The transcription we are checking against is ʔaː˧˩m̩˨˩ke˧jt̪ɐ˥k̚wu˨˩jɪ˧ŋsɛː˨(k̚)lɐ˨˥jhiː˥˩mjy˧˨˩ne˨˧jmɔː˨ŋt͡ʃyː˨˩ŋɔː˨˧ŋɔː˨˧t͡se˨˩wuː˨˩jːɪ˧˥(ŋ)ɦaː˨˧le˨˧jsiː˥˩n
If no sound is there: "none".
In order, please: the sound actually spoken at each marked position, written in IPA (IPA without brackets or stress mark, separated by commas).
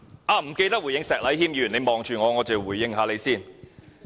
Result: k̚, ŋ